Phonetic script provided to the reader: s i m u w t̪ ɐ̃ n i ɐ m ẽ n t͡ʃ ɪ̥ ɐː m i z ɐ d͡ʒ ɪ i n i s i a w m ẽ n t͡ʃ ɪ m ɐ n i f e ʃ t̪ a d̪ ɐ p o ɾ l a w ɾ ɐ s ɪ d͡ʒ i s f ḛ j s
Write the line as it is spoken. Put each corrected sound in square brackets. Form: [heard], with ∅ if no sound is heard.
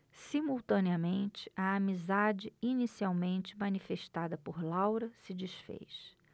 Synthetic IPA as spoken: s i m u w t̪ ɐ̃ n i ɐ m ẽ n t͡ʃ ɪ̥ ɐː m i z [a] d͡ʒ ɪ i n i s i a w m ẽ n t͡ʃ ɪ m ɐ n i f e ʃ t̪ a d̪ ɐ p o ɾ l a w ɾ ɐ s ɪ d͡ʒ i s f ḛ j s